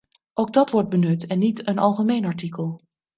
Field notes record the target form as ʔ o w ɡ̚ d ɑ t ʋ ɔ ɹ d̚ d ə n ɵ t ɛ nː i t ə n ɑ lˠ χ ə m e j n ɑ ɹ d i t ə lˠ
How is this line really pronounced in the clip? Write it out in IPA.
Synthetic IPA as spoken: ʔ o w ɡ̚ d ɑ t ʋ ɔ ɹ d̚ b ə n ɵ t ɛ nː i t ə n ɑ lˠ χ ə m e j n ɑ ɹ t i k ə lˠ